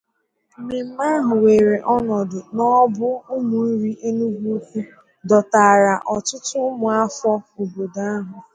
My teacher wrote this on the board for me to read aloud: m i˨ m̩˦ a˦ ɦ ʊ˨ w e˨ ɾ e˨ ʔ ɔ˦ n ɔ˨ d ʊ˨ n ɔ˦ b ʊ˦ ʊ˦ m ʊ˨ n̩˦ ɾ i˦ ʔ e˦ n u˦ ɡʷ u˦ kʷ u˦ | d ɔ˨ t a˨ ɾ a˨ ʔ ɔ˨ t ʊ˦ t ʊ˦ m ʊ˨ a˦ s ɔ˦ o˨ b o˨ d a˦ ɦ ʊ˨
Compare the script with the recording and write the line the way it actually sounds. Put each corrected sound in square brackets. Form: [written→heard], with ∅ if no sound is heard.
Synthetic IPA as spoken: m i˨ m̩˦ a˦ ɦ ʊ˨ w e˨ ɾ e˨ ʔ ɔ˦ n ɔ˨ d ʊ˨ n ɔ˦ b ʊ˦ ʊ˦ m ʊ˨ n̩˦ ɾ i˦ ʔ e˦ n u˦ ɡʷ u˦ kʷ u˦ | d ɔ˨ t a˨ ɾ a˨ ʔ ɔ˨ t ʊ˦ t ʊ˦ m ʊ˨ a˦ [s→f] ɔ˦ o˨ b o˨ d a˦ ɦ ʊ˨